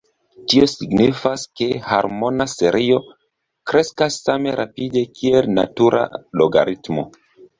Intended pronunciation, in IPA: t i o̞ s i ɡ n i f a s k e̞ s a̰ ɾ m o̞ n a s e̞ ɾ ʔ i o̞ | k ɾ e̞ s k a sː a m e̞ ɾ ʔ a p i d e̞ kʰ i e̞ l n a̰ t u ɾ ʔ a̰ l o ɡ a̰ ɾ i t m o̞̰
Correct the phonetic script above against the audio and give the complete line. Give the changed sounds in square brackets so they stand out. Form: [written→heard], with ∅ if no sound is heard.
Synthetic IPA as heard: t i o̞ s i ɡ n i f a s k e̞ [s→h] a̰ ɾ m o̞ n a s e̞ ɾ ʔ i o̞ | k ɾ e̞ s k a sː a m e̞ ɾ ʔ a p i d e̞ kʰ i e̞ l n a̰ t u ɾ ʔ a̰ l o ɡ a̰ ɾ i t m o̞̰